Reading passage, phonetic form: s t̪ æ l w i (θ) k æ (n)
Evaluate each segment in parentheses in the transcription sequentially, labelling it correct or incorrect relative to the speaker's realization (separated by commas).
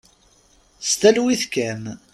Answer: correct, incorrect